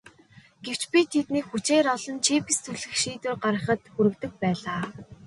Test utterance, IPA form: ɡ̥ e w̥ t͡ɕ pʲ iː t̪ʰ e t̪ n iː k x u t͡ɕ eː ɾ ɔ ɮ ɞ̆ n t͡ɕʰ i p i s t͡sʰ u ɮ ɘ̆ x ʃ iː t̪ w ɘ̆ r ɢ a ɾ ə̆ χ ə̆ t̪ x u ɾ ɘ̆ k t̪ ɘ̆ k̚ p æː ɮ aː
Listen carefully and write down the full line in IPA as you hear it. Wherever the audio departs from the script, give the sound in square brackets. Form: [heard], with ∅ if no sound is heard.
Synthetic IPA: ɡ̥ e w̥ t͡ɕ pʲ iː t̪ʰ e t̪ n iː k x u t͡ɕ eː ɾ ɔ ɮ ɞ̆ n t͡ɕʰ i p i s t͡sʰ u ɮ ɘ̆ x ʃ iː t̪ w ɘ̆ r ɢ a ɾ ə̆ χ ə̆ t̪ x u ɾ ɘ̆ k t̪ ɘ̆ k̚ p æː ɮ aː